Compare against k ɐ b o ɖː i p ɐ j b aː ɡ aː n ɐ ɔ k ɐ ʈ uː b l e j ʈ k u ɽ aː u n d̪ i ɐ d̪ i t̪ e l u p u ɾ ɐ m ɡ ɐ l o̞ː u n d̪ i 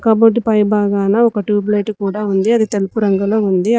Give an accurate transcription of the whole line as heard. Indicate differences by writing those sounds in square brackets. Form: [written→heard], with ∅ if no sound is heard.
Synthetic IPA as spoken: k ɐ b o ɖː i p ɐ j b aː ɡ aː n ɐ ɔ k ɐ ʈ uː b l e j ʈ k [u→uː] ɽ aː u n d̪ i ɐ d̪ i t̪ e l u p u ɾ ɐ [m→ŋ] ɡ ɐ l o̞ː u n d̪ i